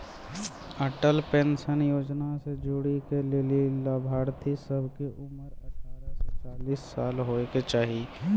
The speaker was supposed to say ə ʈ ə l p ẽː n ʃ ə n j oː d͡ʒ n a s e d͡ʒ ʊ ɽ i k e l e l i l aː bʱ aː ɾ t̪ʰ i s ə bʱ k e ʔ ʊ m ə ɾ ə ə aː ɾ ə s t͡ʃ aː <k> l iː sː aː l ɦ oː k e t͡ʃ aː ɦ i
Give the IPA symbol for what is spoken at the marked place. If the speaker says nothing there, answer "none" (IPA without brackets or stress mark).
none